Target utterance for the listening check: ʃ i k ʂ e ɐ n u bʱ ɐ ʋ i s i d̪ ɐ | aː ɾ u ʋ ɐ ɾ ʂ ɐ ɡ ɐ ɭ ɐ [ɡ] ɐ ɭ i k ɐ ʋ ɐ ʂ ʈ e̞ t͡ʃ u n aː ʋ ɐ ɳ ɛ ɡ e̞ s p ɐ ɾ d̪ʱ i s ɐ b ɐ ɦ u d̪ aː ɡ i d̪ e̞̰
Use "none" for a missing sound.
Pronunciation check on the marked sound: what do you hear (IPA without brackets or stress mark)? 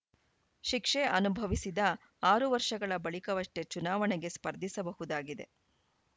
b